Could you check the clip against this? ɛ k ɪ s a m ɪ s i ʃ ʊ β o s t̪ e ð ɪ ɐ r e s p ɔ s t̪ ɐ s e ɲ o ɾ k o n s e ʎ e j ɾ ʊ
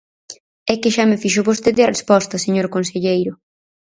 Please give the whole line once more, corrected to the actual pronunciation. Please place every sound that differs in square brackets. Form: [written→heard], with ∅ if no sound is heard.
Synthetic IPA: ɛ k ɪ [s→ʃ] a m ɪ [s→f] i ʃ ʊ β o s t̪ e ð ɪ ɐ r e s p ɔ s t̪ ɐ s e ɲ o ɾ k o n s e ʎ e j ɾ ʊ